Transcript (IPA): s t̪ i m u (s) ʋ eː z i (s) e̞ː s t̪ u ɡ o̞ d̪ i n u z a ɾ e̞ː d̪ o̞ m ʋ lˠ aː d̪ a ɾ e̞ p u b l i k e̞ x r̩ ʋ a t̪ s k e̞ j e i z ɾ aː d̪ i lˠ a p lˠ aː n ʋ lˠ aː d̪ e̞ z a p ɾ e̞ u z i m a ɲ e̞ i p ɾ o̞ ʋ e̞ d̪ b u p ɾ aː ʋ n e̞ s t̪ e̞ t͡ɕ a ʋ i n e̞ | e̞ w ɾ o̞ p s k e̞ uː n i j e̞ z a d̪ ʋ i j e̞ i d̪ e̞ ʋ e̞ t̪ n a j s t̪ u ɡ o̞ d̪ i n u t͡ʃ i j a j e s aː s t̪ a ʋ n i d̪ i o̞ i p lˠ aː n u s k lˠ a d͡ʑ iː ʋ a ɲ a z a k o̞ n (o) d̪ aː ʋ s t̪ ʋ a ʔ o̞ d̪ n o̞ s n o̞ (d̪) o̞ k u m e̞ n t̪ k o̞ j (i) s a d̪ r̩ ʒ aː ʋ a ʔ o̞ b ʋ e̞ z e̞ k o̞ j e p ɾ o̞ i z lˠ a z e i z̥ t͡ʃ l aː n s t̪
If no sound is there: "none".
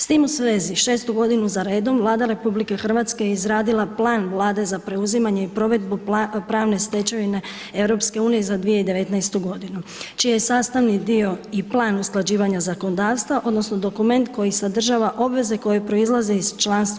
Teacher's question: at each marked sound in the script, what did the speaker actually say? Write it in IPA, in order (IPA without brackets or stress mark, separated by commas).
s, ʃ, o, d̪, i